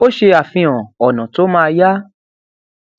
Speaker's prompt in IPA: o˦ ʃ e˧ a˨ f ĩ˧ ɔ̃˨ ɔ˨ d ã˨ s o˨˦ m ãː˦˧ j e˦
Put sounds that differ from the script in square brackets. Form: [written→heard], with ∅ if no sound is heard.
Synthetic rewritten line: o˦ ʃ e˧ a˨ f ĩ˧ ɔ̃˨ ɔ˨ [d→n] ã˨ [s→t] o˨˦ m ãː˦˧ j [e˦→a˦]